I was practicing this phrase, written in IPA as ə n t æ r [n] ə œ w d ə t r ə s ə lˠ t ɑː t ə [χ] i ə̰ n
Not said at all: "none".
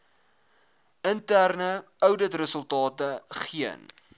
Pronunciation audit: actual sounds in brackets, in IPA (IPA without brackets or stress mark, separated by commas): n, χ